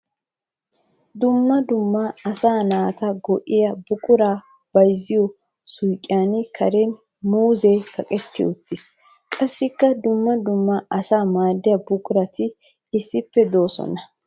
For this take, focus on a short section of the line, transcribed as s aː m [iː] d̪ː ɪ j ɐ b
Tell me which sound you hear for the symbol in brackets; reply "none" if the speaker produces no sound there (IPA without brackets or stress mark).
aː